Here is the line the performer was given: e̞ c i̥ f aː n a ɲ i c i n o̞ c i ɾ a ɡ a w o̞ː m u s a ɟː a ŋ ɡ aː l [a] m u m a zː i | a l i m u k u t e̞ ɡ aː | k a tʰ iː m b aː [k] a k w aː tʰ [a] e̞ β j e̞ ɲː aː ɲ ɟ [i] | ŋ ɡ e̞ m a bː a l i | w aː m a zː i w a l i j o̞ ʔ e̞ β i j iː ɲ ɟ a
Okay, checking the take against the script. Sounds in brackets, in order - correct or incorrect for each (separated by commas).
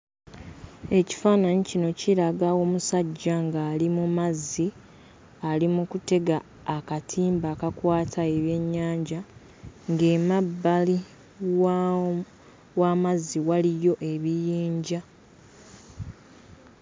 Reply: incorrect, correct, correct, incorrect